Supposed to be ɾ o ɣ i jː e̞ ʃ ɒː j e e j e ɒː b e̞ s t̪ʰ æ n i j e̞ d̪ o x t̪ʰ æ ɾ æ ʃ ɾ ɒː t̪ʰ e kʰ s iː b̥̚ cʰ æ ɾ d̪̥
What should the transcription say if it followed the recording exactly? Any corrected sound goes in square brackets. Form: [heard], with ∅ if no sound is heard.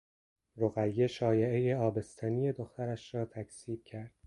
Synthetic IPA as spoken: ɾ o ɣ [æ] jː e̞ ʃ ɒː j e e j e ɒː b e̞ s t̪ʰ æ n i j e̞ d̪ o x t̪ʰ æ ɾ æ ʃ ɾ ɒː t̪ʰ [æ] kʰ s iː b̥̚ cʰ æ ɾ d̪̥